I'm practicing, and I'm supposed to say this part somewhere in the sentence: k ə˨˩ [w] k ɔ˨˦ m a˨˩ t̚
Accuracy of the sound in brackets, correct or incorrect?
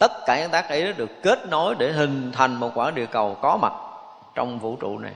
correct